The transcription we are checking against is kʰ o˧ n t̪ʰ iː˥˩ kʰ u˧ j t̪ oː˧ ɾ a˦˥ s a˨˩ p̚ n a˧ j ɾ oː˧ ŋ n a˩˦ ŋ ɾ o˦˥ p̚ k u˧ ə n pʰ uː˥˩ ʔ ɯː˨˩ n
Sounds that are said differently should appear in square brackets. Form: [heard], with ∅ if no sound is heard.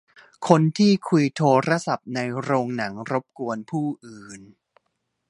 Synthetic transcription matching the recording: kʰ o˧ n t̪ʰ iː˥˩ kʰ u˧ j [t̪ʰ] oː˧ ɾ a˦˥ s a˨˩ p̚ n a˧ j ɾ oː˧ ŋ n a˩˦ ŋ ɾ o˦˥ p̚ k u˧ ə n pʰ uː˥˩ ʔ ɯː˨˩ n

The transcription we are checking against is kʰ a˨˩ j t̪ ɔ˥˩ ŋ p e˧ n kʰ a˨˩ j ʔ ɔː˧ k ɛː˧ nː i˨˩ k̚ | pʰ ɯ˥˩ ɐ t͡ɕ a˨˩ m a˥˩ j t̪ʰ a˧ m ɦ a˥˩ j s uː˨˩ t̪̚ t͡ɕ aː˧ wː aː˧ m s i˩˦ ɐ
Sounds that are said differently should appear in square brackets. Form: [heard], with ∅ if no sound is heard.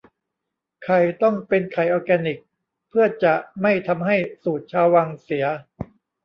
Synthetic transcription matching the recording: kʰ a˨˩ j t̪ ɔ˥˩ ŋ p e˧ n kʰ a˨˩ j ʔ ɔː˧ k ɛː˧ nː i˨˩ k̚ | pʰ ɯ˥˩ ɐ t͡ɕ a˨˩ m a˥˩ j t̪ʰ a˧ m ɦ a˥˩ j s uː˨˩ t̪̚ [t͡ɕʰ] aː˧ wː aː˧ [ŋ] s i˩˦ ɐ

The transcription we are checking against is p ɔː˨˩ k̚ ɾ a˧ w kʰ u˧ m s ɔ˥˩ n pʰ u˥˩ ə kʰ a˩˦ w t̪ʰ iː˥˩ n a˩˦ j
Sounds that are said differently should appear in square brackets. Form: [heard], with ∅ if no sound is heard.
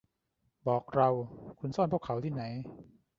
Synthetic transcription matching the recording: [b] ɔː˨˩ k̚ ɾ a˧ w kʰ u˧ [n] s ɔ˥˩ n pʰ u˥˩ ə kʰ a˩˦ w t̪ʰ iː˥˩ n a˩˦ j

